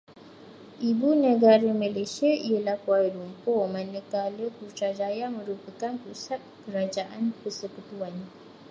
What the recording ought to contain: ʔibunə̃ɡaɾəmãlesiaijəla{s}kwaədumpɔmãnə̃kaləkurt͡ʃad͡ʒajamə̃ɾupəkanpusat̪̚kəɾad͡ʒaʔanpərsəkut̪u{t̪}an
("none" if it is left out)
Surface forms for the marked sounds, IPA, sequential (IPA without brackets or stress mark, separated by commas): h, none